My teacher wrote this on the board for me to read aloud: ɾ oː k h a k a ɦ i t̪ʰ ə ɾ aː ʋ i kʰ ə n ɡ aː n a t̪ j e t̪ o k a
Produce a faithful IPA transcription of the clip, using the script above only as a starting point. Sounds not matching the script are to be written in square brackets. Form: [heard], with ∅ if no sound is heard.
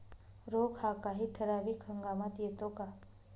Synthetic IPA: ɾ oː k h a k a ɦ i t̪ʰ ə ɾ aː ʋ i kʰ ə [ŋ] ɡ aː [m] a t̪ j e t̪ o k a